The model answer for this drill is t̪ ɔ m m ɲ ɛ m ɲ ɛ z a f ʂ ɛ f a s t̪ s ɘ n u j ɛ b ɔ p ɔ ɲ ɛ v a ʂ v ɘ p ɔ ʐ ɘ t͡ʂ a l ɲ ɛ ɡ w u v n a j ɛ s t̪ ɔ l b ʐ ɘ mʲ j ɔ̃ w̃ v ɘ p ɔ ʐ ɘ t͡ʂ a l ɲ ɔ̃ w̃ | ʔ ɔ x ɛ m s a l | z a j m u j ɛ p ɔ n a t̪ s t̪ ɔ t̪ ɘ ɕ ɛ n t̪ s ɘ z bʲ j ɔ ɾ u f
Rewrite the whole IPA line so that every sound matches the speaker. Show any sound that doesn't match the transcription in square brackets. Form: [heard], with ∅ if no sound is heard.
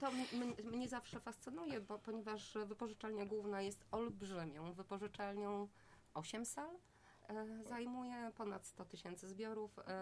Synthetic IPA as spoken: t̪ ɔ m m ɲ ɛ m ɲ ɛ z a f ʂ ɛ f a s t̪ s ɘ n u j ɛ b ɔ p ɔ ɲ ɛ v a ʂ v ɘ p ɔ ʐ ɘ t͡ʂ a l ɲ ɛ ɡ w u v n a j ɛ s t̪ ɔ l b ʐ ɘ mʲ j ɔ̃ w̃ v ɘ p ɔ ʐ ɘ t͡ʂ a l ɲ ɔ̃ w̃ | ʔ ɔ [ɕ] ɛ m s a l | z a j m u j ɛ p ɔ n a t̪ s t̪ ɔ t̪ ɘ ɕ ɛ n t̪ s ɘ z bʲ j ɔ ɾ u f